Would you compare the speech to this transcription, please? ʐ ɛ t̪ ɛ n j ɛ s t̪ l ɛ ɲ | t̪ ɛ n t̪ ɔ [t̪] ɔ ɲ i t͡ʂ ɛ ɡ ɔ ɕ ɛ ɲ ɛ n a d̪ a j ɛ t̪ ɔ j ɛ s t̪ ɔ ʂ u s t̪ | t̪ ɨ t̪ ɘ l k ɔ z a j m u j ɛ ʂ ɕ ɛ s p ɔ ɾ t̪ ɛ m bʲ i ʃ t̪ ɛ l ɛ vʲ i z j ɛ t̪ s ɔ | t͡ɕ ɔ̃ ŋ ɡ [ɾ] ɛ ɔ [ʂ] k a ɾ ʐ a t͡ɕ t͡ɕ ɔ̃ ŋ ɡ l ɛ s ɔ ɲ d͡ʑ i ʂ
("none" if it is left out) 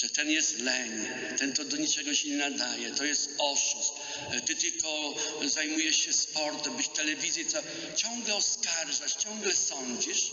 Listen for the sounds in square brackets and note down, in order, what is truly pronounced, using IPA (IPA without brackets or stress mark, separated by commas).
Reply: d̪, l, s